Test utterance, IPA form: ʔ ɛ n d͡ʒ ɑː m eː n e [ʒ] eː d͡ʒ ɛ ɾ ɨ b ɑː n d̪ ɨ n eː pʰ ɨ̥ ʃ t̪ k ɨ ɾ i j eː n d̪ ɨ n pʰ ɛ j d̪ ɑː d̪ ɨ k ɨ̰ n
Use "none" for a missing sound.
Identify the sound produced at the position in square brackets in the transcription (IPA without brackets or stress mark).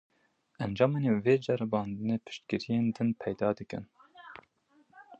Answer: v